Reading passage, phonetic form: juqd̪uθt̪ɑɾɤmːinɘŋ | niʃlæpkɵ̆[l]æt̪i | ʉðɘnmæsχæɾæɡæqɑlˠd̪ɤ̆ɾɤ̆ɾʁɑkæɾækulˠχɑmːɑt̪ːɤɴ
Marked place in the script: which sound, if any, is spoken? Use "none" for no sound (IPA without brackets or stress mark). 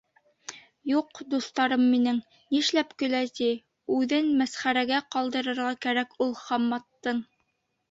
l